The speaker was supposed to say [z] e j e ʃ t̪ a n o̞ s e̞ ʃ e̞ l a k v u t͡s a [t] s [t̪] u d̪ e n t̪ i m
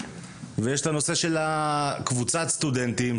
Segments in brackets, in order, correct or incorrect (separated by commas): incorrect, correct, correct